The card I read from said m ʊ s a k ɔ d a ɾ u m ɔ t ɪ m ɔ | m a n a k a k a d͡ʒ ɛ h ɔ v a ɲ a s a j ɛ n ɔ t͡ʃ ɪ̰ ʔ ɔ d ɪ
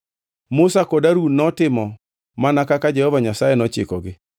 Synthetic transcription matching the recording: m ʊ s a k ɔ d a ɾ u n ɔ t ɪ m ɔ | m a n a k a k a d͡ʒ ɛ h ɔ v a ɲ a s a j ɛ n ɔ t͡ʃ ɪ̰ k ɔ ɡ ɪ